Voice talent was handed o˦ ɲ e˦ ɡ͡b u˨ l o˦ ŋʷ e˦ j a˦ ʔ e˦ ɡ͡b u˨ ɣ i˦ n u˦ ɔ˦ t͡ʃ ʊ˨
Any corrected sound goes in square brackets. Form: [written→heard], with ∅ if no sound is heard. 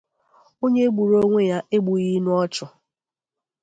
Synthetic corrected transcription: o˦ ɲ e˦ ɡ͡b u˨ [l→ɾ] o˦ ŋʷ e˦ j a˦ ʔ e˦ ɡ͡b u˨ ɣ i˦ n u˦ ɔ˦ t͡ʃ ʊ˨